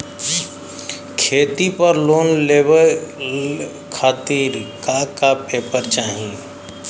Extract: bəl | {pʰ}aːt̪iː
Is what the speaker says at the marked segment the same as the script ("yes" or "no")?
no